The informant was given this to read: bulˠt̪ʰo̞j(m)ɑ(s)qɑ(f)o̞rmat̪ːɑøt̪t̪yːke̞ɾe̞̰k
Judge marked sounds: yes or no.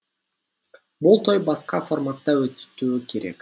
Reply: no, yes, yes

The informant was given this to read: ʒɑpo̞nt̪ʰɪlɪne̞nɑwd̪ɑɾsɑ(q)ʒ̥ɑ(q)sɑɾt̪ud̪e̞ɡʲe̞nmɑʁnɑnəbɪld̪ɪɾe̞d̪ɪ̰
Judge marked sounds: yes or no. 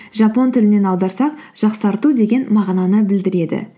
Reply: yes, yes

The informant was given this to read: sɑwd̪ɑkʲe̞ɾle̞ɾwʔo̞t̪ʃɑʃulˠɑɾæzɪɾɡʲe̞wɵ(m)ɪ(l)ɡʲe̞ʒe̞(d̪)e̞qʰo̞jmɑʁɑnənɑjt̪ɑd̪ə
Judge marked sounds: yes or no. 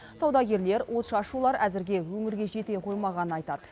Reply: no, no, no

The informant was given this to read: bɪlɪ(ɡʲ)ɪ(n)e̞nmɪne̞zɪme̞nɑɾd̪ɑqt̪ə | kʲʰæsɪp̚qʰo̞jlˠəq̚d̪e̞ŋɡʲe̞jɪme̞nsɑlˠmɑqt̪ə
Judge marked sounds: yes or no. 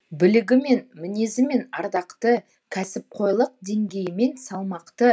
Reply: yes, no

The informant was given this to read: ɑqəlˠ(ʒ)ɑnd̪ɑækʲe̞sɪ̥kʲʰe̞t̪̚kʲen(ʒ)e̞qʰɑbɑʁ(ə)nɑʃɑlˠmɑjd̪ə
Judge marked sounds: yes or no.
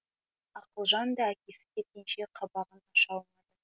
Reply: yes, no, yes

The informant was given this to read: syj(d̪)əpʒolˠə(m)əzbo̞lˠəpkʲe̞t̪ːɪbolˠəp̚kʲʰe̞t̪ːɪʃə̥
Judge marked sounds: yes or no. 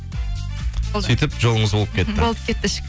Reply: no, no

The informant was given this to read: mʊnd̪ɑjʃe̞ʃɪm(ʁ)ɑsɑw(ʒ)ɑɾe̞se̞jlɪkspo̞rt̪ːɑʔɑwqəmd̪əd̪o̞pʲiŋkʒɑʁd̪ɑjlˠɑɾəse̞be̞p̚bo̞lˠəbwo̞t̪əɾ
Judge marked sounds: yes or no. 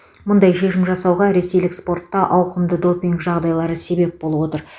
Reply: no, no

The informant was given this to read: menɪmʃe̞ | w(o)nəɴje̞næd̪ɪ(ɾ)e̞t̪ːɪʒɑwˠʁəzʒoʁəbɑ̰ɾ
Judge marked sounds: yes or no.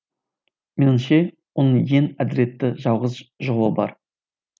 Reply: yes, yes

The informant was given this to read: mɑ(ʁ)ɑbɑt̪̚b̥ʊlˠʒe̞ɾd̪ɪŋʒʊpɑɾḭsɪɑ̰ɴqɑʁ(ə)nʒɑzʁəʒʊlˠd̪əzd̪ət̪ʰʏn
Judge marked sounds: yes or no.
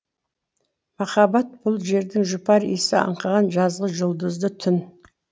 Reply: no, no

